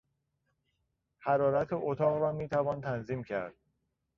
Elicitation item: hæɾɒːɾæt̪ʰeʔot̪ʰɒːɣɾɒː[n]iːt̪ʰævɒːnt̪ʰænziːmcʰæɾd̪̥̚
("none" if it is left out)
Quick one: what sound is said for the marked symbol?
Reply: m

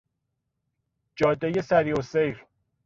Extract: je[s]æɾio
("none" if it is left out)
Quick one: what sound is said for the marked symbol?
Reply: s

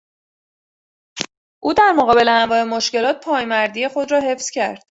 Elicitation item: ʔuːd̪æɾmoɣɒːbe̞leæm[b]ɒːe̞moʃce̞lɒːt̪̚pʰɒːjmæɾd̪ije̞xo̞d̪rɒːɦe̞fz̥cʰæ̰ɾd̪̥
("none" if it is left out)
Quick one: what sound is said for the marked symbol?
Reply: v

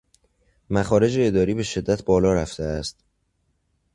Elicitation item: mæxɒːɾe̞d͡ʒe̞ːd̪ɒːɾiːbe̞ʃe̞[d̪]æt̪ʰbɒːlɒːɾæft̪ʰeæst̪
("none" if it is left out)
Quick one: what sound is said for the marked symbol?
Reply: d̪ː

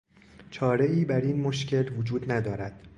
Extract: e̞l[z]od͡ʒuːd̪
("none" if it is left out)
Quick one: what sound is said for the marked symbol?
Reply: v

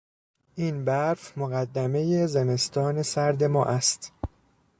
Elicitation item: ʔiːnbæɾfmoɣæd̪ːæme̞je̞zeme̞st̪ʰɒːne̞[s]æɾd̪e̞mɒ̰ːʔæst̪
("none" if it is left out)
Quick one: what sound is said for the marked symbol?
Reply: s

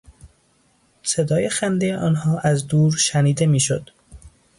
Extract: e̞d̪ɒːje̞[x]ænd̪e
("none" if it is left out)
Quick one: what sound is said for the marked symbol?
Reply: x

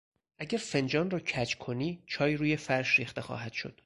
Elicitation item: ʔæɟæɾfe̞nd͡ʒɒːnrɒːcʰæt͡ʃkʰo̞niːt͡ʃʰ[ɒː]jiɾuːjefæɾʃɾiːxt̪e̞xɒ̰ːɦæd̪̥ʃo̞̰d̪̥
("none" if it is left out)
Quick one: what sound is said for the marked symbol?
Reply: ɒː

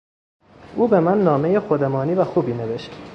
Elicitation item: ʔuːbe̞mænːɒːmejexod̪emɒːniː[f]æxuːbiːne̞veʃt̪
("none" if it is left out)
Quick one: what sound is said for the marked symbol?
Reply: v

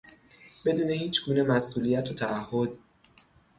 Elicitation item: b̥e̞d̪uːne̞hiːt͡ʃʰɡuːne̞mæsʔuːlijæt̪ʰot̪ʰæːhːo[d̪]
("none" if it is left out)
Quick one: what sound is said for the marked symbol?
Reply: d̪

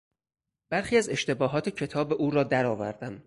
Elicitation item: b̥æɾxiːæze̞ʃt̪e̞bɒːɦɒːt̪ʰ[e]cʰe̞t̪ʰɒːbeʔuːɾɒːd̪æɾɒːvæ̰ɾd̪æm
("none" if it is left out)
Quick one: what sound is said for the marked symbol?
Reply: e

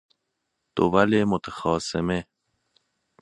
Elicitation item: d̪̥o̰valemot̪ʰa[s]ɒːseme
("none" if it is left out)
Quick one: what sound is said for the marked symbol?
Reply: x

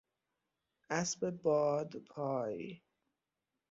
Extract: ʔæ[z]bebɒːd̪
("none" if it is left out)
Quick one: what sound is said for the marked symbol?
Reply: s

